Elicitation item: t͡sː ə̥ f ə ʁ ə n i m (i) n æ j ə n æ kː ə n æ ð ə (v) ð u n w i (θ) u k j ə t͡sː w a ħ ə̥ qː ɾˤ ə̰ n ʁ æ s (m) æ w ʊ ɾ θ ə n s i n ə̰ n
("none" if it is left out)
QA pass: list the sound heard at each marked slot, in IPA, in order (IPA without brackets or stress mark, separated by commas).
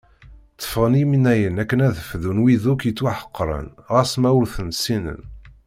i, f, ð, m